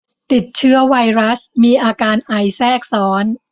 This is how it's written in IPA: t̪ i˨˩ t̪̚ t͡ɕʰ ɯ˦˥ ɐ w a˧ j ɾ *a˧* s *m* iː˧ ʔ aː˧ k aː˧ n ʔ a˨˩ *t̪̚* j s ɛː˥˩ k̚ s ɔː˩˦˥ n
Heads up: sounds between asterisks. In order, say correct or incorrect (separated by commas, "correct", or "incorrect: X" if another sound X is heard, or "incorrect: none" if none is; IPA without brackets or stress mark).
incorrect: a˦˥, correct, incorrect: none